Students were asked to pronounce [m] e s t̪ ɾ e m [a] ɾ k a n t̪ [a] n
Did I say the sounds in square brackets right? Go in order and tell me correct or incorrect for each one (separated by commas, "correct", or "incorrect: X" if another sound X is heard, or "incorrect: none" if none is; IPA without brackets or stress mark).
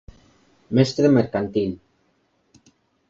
correct, incorrect: e, incorrect: i